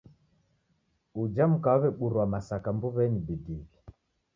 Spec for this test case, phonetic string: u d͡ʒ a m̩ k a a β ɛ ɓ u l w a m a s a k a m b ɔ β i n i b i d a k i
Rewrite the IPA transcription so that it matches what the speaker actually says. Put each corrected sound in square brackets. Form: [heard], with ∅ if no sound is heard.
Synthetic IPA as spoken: u d͡ʒ a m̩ k a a β ɛ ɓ u [ɾ] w a m a s a k a m b [u] β [ɛ] n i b i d [i] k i